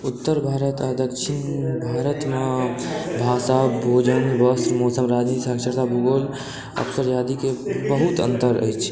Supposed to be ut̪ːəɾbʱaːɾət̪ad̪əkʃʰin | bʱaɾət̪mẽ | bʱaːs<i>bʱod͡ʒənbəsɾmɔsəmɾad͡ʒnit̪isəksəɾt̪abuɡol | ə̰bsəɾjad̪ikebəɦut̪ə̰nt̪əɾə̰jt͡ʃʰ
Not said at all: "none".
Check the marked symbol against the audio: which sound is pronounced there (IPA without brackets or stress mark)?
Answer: a